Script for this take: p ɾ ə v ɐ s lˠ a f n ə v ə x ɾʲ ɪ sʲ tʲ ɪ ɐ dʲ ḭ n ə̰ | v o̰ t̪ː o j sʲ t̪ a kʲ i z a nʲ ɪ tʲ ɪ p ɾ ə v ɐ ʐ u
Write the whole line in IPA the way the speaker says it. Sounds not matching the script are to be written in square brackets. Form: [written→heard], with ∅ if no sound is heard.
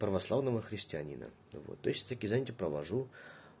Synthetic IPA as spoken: p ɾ ə v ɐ s lˠ a [f→v] n ə v ə x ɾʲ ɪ sʲ tʲ ɪ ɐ [dʲ→nʲ] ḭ n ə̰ | v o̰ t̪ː o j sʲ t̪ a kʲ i z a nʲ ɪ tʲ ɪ p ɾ ə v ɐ ʐ u